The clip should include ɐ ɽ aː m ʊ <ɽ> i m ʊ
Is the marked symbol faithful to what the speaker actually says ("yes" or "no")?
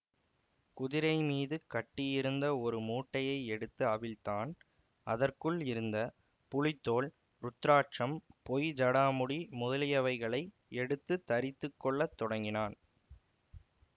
yes